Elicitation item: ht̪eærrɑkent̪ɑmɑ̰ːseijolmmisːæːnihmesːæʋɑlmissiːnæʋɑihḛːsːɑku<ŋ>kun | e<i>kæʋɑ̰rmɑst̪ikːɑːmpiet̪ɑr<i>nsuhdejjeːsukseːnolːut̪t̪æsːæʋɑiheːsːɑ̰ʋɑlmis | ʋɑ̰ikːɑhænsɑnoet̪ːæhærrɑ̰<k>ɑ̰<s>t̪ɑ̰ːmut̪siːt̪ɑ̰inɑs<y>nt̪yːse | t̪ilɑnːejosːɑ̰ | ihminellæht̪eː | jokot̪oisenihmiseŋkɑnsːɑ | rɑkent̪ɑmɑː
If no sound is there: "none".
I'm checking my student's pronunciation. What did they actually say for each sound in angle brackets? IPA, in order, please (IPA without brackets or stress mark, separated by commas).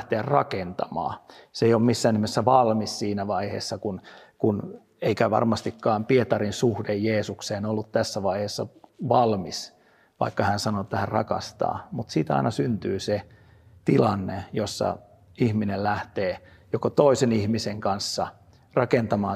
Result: n, i, i, k, s, y